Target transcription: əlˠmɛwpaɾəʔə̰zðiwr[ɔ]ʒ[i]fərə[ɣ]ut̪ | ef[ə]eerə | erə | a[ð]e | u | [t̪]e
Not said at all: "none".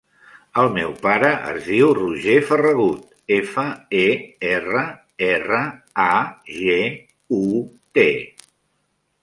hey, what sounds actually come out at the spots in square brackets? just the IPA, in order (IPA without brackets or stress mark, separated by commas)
u, e, ɣ, ə, ʒ, t̪